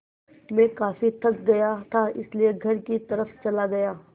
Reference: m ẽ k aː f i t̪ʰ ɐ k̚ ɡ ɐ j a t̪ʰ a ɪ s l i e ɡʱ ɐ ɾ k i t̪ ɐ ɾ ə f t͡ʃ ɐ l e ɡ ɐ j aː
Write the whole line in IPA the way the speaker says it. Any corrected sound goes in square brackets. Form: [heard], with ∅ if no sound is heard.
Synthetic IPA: m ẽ k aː f i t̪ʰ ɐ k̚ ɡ ɐ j a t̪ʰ a ɪ s l i e ɡʱ ɐ ɾ k i t̪ ɐ ɾ ə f t͡ʃ ɐ l [a] ɡ ɐ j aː